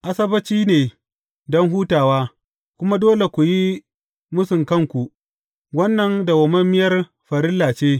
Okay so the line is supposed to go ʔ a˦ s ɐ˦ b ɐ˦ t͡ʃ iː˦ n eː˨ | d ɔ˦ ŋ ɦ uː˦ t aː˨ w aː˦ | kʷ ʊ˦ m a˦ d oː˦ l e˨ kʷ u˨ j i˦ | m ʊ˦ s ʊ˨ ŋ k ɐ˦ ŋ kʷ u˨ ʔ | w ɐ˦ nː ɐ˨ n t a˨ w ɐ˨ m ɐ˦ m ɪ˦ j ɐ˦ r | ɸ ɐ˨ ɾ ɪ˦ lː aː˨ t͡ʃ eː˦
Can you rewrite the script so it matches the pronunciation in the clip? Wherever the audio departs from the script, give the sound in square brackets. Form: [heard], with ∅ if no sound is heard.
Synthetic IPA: ʔ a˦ s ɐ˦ b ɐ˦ t͡ʃ iː˦ n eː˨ | d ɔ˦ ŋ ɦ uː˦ t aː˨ w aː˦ | kʷ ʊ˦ m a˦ d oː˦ l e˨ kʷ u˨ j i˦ | m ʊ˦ s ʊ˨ ŋ k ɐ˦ ŋ kʷ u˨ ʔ | w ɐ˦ nː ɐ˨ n [d] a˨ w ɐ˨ m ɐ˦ m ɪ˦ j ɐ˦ r | ɸ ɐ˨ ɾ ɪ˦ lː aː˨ t͡ʃ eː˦